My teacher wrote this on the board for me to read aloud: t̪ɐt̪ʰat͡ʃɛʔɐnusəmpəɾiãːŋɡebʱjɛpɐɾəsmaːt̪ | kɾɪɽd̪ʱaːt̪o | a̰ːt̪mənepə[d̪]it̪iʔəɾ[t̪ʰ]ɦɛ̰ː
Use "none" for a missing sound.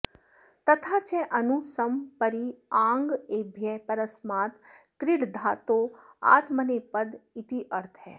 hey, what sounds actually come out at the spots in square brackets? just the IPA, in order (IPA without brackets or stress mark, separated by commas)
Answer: d̪, t̪ʰ